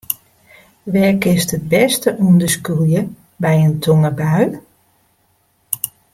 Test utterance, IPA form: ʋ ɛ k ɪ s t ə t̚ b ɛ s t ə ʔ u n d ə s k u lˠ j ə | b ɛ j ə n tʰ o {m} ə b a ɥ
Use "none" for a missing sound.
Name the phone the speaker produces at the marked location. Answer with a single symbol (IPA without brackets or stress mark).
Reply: ŋ